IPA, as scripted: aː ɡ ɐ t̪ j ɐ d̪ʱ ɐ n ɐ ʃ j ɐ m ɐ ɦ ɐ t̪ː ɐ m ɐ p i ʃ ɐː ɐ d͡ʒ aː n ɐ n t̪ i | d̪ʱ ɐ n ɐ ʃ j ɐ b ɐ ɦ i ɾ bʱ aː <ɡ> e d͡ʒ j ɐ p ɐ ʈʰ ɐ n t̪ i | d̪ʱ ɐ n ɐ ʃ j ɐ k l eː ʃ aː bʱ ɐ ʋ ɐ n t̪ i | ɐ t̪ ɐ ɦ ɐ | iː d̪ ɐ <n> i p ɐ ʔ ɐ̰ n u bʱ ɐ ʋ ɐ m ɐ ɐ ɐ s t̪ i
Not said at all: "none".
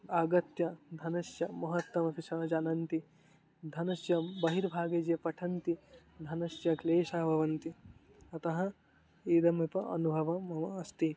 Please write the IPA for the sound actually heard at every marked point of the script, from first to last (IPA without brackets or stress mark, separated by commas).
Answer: ɡ, m